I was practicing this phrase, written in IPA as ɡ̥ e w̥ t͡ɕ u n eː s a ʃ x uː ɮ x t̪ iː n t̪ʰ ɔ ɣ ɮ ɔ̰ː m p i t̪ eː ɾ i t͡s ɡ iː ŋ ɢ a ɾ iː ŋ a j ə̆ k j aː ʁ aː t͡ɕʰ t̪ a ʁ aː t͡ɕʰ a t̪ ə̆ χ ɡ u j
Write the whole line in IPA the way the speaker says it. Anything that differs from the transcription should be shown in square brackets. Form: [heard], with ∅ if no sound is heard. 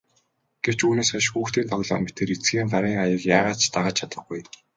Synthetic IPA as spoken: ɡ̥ e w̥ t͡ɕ [uː] n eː s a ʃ x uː [∅] x t̪ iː n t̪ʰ ɔ ɣ ɮ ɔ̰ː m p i t̪ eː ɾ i t͡s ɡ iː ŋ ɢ a ɾ iː ŋ a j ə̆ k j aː ʁ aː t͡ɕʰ t̪ a ʁ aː t͡ɕʰ a t̪ ə̆ χ ɡ u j